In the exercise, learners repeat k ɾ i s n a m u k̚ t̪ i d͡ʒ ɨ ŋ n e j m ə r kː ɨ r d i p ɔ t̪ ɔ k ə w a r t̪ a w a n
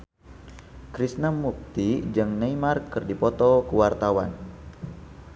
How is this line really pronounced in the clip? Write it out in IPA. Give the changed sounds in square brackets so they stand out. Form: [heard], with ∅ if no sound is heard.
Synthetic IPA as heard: k ɾ i s n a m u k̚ t̪ i d͡ʒ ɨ ŋ n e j m [a] r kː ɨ r d i p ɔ t̪ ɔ k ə w a r t̪ a w a n